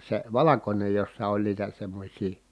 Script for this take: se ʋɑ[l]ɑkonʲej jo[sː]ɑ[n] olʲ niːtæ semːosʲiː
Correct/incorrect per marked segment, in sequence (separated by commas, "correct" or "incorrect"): correct, correct, incorrect